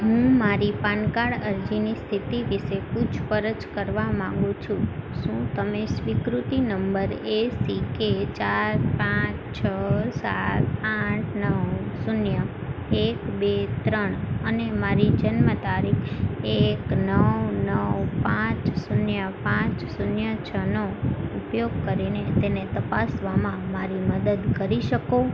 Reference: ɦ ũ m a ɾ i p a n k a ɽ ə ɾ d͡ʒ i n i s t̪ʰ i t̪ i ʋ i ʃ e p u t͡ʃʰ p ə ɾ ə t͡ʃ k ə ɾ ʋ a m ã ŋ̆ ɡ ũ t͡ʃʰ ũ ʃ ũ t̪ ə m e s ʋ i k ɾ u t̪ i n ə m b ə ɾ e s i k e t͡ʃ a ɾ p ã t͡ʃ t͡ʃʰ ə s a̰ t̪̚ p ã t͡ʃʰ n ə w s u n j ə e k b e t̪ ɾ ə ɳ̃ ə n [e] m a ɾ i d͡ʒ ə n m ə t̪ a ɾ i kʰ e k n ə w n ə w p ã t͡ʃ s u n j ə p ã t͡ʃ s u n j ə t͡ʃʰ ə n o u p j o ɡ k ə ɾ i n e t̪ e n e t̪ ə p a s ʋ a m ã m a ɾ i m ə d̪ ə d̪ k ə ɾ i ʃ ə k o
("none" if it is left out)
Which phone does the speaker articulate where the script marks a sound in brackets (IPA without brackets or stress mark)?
e